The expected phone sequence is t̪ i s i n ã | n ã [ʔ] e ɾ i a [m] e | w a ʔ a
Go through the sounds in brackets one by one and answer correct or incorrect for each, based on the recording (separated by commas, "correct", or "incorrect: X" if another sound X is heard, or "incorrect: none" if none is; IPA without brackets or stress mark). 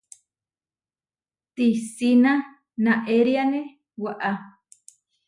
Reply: correct, incorrect: n